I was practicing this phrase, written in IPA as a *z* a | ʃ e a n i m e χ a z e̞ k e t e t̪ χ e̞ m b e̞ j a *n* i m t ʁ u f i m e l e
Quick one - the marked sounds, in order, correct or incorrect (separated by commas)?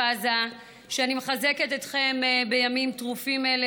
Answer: correct, incorrect